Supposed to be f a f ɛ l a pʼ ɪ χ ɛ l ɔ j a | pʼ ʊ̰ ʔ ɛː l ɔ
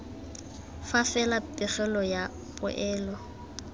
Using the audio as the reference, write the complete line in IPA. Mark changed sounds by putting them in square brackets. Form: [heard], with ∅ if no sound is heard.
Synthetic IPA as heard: f a f ɛ l a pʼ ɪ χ ɛ l ɔ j a | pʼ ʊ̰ ʔ ɛː l ɔ